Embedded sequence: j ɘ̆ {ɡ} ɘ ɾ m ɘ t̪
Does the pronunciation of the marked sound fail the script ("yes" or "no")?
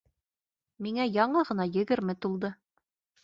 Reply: no